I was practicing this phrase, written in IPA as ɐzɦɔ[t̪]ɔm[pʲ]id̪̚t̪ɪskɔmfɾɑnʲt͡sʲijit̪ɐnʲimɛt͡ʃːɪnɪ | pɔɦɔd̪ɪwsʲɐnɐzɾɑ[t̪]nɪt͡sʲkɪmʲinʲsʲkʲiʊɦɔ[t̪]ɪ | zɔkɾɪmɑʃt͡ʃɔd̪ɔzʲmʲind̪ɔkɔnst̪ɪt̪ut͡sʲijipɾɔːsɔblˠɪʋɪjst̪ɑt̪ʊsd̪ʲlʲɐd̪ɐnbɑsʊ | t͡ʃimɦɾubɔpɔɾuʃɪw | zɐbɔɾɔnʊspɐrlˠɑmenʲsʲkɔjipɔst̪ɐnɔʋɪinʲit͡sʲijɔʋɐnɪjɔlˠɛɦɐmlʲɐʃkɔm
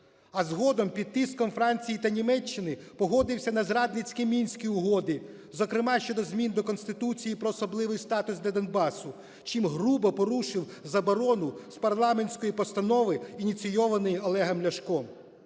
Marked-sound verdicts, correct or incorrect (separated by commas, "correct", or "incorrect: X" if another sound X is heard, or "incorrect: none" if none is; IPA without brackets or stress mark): incorrect: d̪, correct, incorrect: d̪, incorrect: d̪